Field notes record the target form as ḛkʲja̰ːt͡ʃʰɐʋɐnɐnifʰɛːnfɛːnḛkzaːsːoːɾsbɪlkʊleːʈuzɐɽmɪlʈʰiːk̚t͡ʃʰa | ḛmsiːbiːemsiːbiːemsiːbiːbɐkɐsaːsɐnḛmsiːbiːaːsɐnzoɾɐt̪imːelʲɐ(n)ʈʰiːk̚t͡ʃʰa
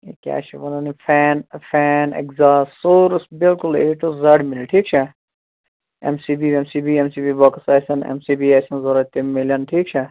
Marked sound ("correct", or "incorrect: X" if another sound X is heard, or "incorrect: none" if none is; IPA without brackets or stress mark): correct